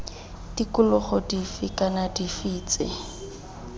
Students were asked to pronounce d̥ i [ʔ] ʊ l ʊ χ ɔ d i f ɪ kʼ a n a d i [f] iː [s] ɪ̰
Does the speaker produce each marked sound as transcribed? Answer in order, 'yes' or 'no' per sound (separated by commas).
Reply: no, yes, no